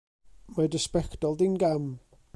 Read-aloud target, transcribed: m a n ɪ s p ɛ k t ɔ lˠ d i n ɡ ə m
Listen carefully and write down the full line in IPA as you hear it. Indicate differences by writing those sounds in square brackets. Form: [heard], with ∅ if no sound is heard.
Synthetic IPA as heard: m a [d] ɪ s p ɛ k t ɔ lˠ d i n ɡ [a] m